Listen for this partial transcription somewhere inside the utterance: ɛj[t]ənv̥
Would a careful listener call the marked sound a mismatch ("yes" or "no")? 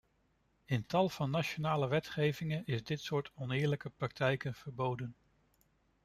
yes